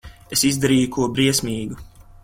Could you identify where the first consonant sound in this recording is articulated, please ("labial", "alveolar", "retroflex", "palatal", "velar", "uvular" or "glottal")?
alveolar